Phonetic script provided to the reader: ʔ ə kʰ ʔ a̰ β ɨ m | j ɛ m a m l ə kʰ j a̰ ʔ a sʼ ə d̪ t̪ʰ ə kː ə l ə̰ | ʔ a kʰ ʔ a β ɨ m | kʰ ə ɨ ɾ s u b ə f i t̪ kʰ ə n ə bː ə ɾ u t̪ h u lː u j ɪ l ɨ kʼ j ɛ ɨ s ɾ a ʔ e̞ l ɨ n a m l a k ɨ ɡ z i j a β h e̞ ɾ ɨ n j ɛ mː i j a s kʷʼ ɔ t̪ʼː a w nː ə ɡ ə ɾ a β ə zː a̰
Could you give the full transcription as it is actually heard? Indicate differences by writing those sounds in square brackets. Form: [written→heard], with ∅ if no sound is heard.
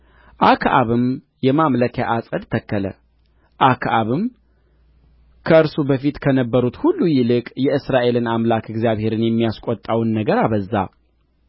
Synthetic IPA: ʔ [ə→a] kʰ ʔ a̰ β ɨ m | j ɛ m a m l ə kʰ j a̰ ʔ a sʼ ə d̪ t̪ʰ ə kː ə l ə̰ | ʔ a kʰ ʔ a β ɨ m | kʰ ə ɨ ɾ s u b ə f i t̪ kʰ ə n ə bː ə ɾ u t̪ h u lː u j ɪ l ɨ kʼ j ɛ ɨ s ɾ a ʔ e̞ l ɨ n a m l a k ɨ ɡ z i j a β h e̞ ɾ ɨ n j ɛ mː i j a s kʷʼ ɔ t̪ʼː a w nː ə ɡ ə ɾ a β ə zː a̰